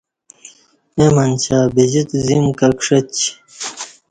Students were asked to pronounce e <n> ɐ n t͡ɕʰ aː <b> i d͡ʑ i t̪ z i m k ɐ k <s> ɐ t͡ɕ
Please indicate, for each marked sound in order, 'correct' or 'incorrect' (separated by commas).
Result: incorrect, correct, incorrect